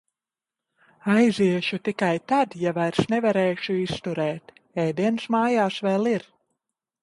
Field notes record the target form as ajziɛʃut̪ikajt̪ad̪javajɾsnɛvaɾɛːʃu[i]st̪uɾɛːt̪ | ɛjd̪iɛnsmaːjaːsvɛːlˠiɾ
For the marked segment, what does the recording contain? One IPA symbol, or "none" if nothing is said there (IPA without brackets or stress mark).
i